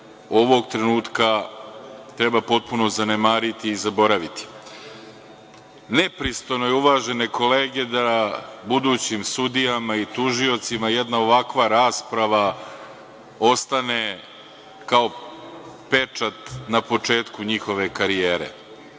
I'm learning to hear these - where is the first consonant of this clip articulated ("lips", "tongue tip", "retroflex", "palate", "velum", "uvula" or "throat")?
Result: lips